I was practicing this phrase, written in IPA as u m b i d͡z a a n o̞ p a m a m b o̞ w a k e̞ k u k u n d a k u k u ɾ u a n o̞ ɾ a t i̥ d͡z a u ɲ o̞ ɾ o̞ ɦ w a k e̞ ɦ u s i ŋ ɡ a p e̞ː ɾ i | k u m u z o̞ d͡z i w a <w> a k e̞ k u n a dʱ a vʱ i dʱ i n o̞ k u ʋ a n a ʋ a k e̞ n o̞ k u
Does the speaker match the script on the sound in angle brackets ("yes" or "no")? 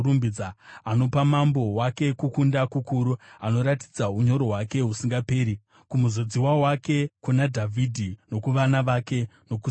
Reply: yes